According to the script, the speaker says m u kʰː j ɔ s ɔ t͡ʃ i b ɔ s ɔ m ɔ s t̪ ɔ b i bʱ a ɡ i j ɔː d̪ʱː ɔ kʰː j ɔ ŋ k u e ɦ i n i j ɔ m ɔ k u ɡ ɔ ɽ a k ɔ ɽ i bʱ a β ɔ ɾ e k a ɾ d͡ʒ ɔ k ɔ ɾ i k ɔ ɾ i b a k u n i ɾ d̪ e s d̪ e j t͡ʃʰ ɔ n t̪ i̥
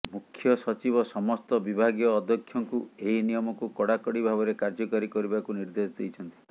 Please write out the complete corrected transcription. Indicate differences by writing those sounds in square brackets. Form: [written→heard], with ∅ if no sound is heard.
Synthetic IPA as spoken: m u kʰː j ɔ s ɔ t͡ʃ i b ɔ s ɔ m ɔ s t̪ ɔ b i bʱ a ɡ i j ɔː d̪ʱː ɔ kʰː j ɔ ŋ k u e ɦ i n i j ɔ m ɔ k u [ɡ→k] ɔ ɽ a k ɔ ɽ i bʱ a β ɔ ɾ e k a ɾ d͡ʒ ɔ k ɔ ɾ i k ɔ ɾ i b a k u n i ɾ d̪ e s d̪ e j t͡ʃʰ ɔ n t̪ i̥